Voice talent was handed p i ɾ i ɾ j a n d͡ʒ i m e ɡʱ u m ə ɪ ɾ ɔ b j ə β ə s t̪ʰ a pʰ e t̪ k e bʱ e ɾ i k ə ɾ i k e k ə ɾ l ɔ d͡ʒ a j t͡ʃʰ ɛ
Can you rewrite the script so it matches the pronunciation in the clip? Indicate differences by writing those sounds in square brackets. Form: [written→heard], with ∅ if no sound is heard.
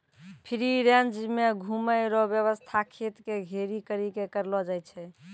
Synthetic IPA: [p→pʰ] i ɾ i ɾ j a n d͡ʒ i m e ɡʱ u m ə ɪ ɾ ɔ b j ə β ə s t̪ʰ a [pʰ→kʰ] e t̪ k e [bʱ→ɡʱ] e ɾ i k ə ɾ i k e k ə ɾ l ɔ d͡ʒ a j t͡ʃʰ ɛ